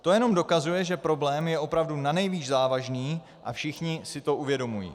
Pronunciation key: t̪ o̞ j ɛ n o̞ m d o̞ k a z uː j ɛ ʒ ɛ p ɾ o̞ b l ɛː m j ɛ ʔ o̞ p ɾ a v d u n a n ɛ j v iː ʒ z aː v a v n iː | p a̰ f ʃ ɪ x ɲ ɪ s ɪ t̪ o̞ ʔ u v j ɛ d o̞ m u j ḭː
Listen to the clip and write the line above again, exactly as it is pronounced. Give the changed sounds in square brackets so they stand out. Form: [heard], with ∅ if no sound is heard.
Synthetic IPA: t̪ o̞ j ɛ n o̞ m d o̞ k a z [u] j ɛ ʒ ɛ p ɾ o̞ b l ɛː m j ɛ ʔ o̞ p ɾ a v d u n a n ɛ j v iː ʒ z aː v a [ʒ] n iː | [ʔ] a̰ f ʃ ɪ x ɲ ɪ s ɪ t̪ o̞ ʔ u v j ɛ d o̞ m u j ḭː